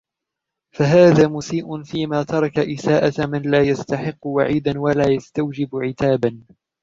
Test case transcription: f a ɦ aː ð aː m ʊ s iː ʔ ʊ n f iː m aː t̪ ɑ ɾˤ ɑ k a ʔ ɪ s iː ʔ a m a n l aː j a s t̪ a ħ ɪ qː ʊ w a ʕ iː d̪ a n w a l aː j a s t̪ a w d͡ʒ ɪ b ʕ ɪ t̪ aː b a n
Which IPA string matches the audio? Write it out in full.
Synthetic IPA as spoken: f a ɦ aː ð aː m ʊ s iː ʔ ʊ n f iː m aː t̪ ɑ ɾˤ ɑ k a ʔ ɪ s aː ʔ a m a n l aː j a s t̪ a ħ ɪ qː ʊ w a ʕ iː d̪ a n w a l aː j a s t̪ a w d͡ʒ ɪ b ʕ ɪ t̪ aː b a n